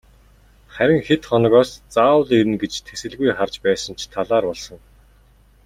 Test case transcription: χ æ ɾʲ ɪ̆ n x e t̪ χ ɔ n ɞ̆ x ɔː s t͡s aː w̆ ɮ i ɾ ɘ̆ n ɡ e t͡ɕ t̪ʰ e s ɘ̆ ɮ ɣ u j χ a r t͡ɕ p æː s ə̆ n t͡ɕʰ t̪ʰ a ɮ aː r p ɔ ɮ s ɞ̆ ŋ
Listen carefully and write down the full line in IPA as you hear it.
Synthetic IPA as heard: χ æ ɾʲ ɪ̆ ŋ x e t̪ χ ɔ n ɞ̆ ɣ ɔː s t͡s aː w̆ ɮ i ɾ ɘ̆ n ɡ e t͡ɕ t̪ʰ e s ɘ̆ ɮ ɣ u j χ a r t͡ɕ p æː s ə̆ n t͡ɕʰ t̪ʰ a ɮ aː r p ɔ ɮ s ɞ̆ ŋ

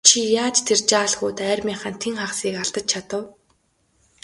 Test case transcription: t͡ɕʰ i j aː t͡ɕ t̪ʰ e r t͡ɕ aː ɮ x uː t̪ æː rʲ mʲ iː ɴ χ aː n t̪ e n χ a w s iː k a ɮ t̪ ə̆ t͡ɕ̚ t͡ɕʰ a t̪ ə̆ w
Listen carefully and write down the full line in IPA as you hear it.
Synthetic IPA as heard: t͡ɕʰ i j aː t͡ɕ t̪ʰ e r t͡ɕ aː ɮ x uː t̪ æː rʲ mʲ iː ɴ χ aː n t̪ʰ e ŋ χ a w s iː k a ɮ t̪ ə̆ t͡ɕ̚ t͡ɕʰ a t̪ ə̆ w

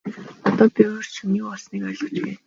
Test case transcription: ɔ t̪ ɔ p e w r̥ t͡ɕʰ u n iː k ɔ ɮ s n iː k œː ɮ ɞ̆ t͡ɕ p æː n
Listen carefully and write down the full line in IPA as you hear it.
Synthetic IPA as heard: ɔ t̪ ɔː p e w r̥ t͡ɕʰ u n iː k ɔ ɮ s n iː k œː ɮ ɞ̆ t͡ɕ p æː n

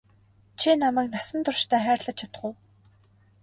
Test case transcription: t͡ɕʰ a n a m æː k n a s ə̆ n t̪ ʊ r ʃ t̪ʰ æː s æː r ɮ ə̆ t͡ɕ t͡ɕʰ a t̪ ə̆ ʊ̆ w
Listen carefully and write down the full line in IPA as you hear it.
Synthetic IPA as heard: t͡ɕʰ i n a m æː k n a s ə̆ n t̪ ʊ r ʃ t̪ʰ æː χ æː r ɮ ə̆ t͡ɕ t͡ɕʰ a t̪ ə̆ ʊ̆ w

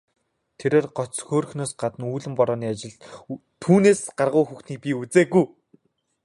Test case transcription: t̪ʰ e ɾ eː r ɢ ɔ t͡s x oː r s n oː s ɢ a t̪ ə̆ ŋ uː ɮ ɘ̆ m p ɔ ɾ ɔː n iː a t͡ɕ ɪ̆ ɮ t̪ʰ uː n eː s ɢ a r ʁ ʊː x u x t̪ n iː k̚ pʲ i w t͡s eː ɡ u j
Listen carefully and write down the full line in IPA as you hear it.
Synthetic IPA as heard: t̪ʰ e ɾ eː r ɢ ɔ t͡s x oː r x n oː s ɢ a t̪ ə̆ n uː ɮ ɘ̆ m p ɔ ɾ ɔː n iː a t͡ɕ ɪ̆ ɮ t̪ʰ uː n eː s ɢ a r ʁ ʊː x u x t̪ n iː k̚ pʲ i u t͡s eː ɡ u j

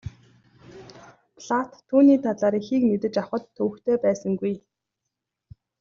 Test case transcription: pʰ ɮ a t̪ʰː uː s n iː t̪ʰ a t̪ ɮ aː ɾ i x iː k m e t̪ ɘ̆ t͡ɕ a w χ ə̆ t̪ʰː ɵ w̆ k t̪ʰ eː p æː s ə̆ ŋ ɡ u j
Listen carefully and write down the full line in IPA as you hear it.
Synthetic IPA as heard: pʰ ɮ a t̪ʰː uː n iː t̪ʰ a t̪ ɮ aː ɾ i x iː k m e t̪ ɘ̆ t͡ɕ a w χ ə̆ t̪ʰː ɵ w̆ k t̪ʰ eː p æː s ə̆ ŋ ɡ u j

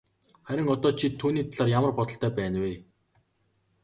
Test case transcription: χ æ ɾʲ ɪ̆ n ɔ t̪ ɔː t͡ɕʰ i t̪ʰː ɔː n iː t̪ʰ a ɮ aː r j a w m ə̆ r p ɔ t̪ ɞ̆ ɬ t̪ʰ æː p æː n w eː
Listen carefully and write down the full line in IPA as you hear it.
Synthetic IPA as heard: χ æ ɾʲ ɪ̆ ŋ ɔ t̪ ɔː t͡ɕʰ i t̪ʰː uː n iː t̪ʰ a ɮ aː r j a m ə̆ r p ɔ t̪ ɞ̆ ɬ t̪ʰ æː p æː n w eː

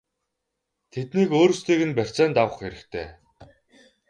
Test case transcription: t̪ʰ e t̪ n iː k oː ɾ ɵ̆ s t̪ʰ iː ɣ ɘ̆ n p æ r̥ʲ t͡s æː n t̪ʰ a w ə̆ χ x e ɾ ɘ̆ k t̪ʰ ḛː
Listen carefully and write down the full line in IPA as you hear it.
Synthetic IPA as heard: t̪ʰ e t̪ n iː k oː ɾ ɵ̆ s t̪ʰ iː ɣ ɘ̆ n p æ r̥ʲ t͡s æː n t̪ a w ə̆ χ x e ɾ ɘ̆ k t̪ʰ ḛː

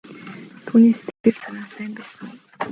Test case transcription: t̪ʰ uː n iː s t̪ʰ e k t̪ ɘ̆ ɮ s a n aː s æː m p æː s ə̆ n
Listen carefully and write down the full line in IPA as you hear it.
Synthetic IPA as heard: t̪ʰ uː n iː s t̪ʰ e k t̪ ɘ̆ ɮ s a n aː s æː m p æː s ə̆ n

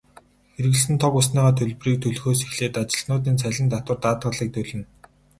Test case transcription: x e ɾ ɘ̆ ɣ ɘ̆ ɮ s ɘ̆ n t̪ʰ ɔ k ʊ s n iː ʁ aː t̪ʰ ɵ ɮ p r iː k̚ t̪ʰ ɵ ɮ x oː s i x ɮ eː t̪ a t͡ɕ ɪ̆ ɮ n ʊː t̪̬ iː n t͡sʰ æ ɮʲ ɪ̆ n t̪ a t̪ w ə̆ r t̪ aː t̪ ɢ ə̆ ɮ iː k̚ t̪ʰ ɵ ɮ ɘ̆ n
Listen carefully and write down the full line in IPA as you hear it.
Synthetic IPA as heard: x e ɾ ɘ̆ ɣ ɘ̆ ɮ s ɘ̆ n t̪ʰ ɔ k ʊ s n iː ʁ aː t̪ʰ ɵ ɮ p r iː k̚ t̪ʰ ɵ ɮ x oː s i x ɮ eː t̪ a t͡ɕ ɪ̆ ɮ n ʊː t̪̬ iː n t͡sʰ æ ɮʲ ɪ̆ n t̪ a t̪ w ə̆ r t̪ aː t̪ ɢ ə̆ ɮ iː k̚ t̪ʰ ɵ ɮ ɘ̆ n

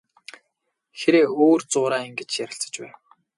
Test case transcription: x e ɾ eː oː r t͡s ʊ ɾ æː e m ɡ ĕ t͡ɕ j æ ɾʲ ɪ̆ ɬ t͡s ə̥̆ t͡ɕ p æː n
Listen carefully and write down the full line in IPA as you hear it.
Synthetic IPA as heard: x e ɾ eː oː r t͡s ʊː ɾ aː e ŋ ɡ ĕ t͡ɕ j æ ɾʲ ɪ̆ ɬ t͡s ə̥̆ t͡ɕ p æː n

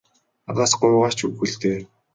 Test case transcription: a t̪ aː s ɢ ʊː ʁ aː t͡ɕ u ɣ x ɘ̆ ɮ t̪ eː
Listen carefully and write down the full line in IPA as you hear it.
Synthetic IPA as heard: a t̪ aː s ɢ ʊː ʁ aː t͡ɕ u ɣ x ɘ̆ ɮ t̪ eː

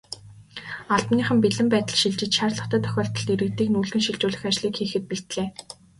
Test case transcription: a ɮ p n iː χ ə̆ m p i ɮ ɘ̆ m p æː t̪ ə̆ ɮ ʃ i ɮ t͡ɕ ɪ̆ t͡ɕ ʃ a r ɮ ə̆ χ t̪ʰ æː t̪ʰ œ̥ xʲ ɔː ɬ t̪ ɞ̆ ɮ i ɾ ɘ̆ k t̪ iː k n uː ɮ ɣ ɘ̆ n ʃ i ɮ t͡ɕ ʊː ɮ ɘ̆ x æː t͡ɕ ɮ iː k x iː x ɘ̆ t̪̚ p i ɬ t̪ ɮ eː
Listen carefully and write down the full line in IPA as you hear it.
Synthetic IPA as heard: a ɮ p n iː χ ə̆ m p i ɮ ɘ̆ m p æː t̪ ə̆ ɮ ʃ i ɮ t͡ɕ ɪ̆ t͡ɕ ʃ a r ɮ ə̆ χ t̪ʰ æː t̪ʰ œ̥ xʲ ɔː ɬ t̪ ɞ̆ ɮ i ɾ ɘ̆ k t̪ iː k n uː ɮ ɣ ɘ̆ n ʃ i ɮ t͡ɕ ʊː ɮ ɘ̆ x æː t͡ɕ ɮ iː k x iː x ɘ̆ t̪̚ p i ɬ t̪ ɮ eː

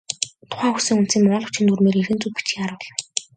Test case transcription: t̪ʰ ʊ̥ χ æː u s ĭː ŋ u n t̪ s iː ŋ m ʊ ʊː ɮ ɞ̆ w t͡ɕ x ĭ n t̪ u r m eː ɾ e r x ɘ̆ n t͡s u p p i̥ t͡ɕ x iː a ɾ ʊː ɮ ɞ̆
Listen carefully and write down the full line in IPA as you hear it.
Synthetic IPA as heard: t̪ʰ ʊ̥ χ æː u s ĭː ŋ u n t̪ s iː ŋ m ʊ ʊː ɮ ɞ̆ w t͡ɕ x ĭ n t̪ u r m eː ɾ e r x ɘ̆ n t͡s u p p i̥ t͡ɕ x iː a ɾ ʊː ɮ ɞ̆

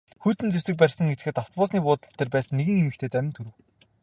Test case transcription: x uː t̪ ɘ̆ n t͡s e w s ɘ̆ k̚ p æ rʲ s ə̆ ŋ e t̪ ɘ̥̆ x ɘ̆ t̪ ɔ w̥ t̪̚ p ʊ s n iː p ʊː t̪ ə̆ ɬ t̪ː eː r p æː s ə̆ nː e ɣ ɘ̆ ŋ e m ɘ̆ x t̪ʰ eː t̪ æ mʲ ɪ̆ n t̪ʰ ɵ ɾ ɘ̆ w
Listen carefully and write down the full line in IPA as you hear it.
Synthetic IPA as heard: x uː t̪ ɘ̆ n t͡s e w s ɘ̆ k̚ p æ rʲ s ə̆ ŋ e t̪ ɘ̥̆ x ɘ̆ t̪ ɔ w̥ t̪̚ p ʊː s n iː p ʊː t̪ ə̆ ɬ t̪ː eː r p æː s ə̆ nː e ɣ ɘ̆ ŋ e m ɘ̆ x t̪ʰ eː t̪ æ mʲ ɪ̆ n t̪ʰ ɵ ɾ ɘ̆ w

